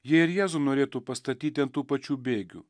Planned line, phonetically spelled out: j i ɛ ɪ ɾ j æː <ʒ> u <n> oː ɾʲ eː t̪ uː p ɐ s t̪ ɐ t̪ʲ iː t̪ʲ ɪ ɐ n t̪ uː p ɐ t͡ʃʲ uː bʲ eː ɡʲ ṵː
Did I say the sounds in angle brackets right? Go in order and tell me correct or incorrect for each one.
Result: incorrect, correct

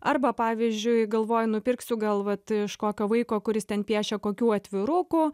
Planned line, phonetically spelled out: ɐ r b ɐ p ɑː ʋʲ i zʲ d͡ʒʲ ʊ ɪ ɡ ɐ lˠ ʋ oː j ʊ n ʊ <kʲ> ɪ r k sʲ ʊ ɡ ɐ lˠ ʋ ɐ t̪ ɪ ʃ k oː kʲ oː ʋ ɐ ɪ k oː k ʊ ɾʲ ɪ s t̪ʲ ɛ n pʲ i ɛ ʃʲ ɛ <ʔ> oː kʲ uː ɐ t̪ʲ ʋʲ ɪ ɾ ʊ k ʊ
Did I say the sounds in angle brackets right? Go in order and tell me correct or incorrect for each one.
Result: incorrect, incorrect

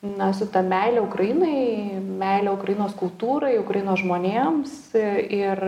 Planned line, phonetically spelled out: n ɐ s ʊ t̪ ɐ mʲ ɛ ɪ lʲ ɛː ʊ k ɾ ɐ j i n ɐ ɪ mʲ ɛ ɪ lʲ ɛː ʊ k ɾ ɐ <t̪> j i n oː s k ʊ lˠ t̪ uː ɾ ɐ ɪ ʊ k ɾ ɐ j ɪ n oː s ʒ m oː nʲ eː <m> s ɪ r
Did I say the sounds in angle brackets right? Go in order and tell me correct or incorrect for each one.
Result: incorrect, correct

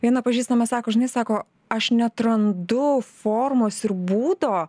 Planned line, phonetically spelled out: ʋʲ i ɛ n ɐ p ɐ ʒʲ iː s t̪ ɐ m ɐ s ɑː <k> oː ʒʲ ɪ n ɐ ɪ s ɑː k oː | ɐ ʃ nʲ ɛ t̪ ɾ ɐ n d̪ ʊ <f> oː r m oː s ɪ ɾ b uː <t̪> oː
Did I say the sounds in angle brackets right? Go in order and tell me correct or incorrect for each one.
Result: correct, correct, incorrect

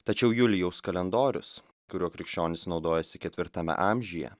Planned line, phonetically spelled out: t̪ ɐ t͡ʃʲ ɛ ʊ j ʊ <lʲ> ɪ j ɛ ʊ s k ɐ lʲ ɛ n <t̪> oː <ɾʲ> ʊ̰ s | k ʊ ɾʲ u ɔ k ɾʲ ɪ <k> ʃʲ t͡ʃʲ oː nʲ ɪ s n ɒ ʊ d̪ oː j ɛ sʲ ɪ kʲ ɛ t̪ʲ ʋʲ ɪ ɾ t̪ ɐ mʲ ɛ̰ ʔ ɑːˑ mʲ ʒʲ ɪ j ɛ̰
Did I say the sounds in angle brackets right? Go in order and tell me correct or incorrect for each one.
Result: correct, incorrect, correct, correct

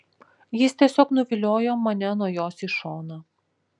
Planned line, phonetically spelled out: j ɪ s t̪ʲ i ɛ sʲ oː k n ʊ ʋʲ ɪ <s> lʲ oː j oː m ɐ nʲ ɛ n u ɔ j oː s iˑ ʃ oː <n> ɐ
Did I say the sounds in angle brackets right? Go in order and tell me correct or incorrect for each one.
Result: incorrect, correct

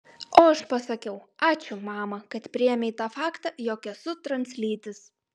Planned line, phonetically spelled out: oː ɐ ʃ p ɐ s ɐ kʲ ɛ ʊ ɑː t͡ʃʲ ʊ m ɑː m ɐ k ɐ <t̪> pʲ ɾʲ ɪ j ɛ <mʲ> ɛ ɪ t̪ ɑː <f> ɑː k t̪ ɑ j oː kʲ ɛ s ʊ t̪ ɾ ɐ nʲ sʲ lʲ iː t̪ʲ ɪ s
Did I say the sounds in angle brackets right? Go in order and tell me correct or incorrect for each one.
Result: correct, correct, correct

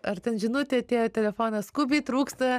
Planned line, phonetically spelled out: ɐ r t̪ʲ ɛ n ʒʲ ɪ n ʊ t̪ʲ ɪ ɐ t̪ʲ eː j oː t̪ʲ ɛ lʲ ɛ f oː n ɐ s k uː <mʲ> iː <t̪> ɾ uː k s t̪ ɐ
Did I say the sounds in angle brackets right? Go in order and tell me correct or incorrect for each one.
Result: incorrect, correct

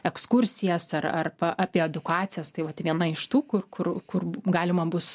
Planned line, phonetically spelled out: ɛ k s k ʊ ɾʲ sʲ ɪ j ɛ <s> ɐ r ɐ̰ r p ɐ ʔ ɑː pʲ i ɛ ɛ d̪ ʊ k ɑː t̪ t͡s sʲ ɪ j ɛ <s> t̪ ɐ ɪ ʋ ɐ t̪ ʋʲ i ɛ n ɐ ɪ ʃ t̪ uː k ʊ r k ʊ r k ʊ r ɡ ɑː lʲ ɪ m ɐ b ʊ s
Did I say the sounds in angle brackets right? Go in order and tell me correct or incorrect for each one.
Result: correct, correct

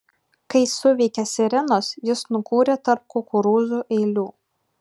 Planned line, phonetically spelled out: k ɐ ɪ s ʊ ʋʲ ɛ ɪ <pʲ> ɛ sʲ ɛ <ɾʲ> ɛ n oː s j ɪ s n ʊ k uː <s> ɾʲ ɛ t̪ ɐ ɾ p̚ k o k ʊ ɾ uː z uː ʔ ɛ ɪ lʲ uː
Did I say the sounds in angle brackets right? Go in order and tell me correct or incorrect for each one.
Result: incorrect, correct, incorrect

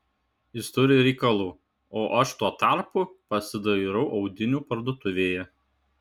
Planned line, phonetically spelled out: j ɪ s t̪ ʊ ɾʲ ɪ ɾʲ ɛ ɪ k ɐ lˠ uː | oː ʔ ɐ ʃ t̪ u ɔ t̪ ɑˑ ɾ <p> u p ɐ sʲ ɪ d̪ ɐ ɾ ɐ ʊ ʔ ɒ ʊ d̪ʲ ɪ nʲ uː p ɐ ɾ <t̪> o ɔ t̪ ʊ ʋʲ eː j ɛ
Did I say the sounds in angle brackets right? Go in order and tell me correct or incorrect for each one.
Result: correct, incorrect

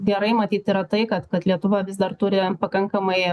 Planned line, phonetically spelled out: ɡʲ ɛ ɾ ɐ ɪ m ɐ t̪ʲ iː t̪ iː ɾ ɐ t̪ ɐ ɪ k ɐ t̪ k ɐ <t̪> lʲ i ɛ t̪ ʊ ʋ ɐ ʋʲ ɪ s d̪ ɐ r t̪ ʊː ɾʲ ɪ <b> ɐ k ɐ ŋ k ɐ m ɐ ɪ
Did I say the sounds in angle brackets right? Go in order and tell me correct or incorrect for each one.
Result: correct, incorrect

